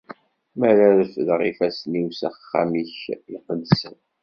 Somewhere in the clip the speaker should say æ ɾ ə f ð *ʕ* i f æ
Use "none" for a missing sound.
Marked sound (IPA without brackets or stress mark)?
ʁ